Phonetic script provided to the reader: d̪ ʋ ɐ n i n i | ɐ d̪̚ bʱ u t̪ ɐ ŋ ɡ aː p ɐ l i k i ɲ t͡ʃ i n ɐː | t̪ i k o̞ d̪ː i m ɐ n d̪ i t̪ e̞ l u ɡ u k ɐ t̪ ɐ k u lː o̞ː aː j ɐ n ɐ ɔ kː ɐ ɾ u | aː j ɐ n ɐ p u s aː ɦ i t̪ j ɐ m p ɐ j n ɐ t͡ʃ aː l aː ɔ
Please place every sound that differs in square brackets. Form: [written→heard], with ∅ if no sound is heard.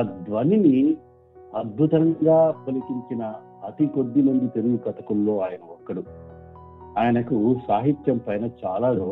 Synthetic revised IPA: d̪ ʋ ɐ n i n i | ɐ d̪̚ bʱ u t̪ ɐ ŋ ɡ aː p ɐ l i k i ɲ t͡ʃ i n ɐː | t̪ i k o̞ d̪ː i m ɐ n d̪ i t̪ e̞ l u ɡ u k ɐ t̪ ɐ k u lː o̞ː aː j ɐ n ɐ ɔ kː ɐ [ɾ→ɽ] u | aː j ɐ n ɐ [p→k] u s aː ɦ i t̪ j ɐ m p ɐ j n ɐ t͡ʃ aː l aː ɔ